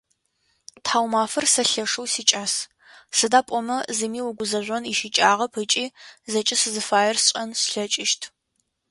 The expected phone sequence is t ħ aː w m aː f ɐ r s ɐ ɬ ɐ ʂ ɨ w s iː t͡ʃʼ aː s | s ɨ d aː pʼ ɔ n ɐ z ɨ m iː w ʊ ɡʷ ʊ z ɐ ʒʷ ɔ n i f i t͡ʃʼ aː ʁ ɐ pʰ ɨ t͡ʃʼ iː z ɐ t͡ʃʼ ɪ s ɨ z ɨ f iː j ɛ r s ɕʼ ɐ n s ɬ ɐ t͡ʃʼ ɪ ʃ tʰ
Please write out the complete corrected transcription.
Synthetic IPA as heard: t ħ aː w m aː f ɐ r s ɐ ɬ ɐ ʂ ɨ w s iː t͡ʃʼ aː s | s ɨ d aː pʼ ɔ m ɐ z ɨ m iː w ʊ ɡʷ ʊ z ɐ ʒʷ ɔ n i ʃ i t͡ʃʼ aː ʁ ɐ pʰ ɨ t͡ʃʼ iː z ɐ t͡ʃʼ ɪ s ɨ z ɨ f aː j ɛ r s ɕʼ ɐ n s ɬ ɐ t͡ʃʼ ɪ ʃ tʰ